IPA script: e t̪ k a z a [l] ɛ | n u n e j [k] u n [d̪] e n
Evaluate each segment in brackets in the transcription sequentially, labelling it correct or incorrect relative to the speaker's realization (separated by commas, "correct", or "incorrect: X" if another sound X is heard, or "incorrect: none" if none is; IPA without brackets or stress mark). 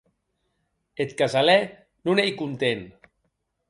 correct, correct, incorrect: t̪